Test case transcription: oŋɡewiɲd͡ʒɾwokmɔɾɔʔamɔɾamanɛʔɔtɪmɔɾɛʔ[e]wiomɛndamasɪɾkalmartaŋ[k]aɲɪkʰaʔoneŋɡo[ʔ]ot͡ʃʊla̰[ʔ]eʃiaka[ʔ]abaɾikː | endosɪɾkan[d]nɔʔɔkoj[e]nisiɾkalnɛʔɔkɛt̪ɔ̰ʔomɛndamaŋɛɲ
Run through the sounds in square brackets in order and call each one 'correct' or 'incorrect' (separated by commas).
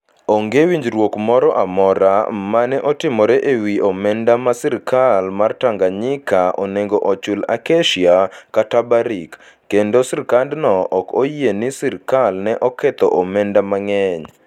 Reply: correct, incorrect, correct, incorrect, incorrect, correct, correct